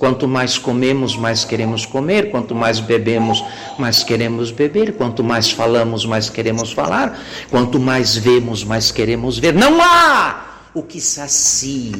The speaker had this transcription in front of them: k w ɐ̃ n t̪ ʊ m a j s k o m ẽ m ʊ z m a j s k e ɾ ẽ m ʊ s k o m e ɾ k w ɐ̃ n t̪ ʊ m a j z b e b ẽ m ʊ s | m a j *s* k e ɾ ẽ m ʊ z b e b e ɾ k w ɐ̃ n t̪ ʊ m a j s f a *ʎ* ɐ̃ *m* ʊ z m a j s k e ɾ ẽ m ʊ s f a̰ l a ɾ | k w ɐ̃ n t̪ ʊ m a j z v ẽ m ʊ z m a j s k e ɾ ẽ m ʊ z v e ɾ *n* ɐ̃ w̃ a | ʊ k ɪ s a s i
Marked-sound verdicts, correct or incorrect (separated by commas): correct, incorrect, correct, correct